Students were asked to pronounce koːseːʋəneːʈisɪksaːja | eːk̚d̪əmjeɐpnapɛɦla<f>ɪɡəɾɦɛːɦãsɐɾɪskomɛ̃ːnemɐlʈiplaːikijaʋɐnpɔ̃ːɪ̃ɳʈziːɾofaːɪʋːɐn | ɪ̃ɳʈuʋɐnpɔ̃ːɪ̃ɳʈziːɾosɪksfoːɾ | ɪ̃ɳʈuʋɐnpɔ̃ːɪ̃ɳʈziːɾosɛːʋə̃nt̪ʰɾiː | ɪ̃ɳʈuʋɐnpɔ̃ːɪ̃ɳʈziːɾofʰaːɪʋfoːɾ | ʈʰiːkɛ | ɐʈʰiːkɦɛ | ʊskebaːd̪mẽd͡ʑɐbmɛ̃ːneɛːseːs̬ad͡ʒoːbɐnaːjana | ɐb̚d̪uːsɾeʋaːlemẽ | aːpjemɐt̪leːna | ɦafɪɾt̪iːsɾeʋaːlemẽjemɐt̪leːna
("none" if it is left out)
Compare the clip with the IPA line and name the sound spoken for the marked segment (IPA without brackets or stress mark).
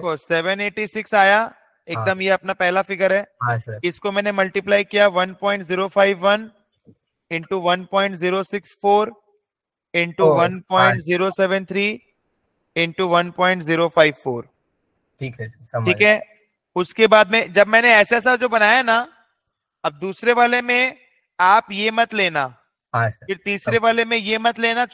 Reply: f